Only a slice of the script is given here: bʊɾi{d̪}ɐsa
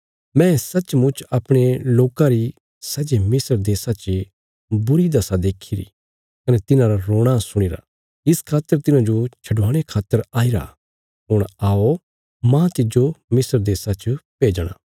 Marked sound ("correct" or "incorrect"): correct